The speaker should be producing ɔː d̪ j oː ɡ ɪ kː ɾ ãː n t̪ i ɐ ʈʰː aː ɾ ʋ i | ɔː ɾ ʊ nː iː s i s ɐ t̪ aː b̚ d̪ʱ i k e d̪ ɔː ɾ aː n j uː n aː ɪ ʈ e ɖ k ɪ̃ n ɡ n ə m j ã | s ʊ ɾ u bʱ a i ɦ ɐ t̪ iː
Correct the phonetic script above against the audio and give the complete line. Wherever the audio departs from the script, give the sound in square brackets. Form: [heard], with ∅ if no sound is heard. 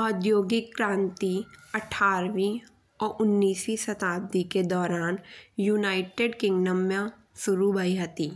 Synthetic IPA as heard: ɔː d̪ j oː ɡ ɪ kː ɾ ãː n t̪ i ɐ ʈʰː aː ɾ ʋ i | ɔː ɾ ʊ nː iː s i s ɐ t̪ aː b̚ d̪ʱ i k e d̪ ɔː ɾ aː n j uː n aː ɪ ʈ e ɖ k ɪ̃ [ŋ] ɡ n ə m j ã | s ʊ ɾ u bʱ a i ɦ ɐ t̪ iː